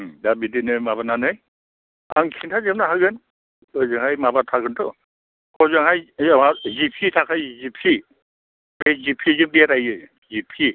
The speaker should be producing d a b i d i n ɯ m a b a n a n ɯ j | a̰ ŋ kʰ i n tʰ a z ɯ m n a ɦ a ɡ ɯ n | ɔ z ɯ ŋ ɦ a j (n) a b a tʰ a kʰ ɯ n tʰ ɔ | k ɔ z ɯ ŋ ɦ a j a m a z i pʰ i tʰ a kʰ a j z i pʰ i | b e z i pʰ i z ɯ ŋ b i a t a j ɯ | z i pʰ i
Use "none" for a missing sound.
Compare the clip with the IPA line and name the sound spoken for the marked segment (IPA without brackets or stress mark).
m